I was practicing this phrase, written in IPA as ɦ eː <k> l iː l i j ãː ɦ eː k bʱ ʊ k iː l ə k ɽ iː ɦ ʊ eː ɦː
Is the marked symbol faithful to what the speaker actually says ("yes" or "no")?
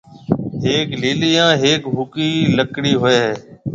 yes